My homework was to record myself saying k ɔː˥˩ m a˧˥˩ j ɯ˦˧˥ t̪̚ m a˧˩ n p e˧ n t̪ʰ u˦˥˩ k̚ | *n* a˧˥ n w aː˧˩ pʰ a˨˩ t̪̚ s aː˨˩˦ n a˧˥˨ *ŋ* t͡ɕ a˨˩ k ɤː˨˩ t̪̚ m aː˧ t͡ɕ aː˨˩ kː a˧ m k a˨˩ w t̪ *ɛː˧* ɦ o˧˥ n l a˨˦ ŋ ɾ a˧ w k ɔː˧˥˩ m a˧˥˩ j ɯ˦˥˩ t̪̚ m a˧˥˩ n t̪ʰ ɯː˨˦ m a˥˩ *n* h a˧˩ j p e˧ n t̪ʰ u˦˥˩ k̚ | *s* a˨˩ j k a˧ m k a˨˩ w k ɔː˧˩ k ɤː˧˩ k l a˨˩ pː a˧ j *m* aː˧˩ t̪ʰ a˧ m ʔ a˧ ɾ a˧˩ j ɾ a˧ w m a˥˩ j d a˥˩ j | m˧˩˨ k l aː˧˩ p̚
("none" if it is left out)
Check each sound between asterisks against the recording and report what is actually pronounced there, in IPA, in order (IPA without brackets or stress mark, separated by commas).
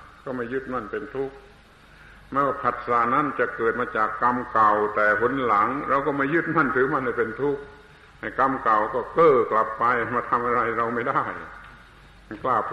m, n, ɛː˨˩, n, h, m